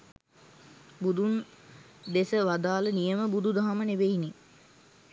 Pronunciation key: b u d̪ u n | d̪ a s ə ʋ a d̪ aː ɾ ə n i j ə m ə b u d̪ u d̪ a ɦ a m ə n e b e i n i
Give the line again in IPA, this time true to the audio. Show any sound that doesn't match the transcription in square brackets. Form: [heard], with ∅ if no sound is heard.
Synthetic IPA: b u d̪ u n | d̪ [e] s ə ʋ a d̪ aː [l] ə n i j ə m ə b u d̪ u d̪ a ɦ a m ə n e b e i n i